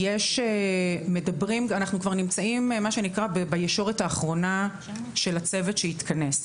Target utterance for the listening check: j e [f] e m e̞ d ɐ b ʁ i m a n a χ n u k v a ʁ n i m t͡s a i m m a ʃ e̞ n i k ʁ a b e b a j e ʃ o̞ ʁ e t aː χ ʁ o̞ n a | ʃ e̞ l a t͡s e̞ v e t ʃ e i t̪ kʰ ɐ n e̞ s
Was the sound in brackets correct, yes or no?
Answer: no